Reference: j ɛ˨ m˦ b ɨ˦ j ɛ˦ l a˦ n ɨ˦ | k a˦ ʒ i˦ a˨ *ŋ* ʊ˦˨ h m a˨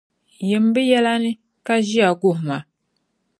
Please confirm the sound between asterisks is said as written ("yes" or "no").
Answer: no